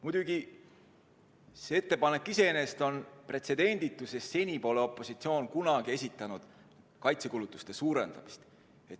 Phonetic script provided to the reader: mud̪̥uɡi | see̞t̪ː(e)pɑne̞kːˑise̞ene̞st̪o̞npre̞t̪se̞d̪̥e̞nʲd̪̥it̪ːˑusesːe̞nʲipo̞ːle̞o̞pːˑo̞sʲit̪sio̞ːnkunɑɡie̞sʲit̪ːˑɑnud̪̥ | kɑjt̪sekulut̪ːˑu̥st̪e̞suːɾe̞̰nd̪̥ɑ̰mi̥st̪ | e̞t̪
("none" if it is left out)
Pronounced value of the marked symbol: e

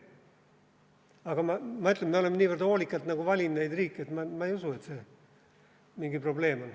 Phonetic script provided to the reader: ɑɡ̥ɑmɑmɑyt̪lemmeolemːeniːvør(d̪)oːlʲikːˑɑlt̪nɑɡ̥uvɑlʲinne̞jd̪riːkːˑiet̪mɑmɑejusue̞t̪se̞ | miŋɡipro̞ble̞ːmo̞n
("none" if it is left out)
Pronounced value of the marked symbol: d̪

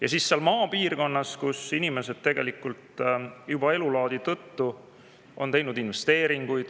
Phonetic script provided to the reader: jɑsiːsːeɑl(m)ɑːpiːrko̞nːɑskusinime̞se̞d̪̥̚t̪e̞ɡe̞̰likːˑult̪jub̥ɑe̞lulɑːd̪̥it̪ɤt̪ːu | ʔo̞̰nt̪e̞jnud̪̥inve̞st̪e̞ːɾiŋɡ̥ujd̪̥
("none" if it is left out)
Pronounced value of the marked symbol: m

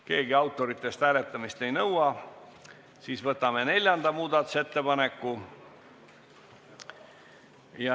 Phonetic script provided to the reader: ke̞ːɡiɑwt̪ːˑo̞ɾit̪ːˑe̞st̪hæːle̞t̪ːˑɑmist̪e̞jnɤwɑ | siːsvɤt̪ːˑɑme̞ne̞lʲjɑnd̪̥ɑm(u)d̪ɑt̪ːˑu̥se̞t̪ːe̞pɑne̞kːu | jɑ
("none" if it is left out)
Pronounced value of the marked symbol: uː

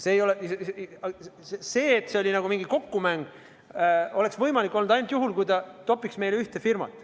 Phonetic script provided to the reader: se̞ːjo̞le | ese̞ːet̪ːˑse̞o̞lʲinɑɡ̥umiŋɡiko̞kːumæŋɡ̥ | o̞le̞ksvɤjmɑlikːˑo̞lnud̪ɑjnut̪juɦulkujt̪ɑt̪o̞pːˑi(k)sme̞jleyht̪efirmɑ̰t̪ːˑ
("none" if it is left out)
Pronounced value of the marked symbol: k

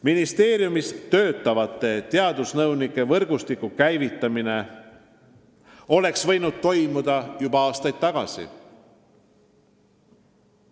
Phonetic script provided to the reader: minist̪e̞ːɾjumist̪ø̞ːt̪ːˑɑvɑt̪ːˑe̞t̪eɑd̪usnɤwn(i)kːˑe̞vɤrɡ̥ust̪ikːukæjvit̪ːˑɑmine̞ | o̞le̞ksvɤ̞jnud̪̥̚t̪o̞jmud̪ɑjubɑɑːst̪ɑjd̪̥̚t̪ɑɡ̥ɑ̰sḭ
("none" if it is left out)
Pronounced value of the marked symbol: i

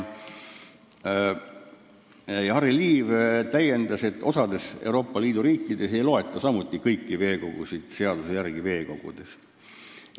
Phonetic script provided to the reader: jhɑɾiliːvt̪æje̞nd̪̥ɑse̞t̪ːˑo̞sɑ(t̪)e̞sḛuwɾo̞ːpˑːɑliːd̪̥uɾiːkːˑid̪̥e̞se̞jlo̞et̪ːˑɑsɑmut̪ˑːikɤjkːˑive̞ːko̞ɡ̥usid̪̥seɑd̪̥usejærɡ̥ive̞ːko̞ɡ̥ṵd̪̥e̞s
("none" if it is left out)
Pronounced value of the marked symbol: d̪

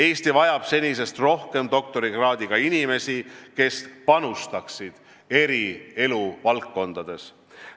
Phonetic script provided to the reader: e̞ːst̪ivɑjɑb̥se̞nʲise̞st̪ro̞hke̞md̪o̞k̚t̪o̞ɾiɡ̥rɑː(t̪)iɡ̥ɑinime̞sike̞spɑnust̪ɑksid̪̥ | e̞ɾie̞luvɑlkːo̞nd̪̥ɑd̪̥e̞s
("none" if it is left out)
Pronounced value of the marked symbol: d̪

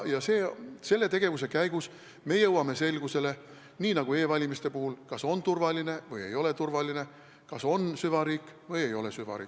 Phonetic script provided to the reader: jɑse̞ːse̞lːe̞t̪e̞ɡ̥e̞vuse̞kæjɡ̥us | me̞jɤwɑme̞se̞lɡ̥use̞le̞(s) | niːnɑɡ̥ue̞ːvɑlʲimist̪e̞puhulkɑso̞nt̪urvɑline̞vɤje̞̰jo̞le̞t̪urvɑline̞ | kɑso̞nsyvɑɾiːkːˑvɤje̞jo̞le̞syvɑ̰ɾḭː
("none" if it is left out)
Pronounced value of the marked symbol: none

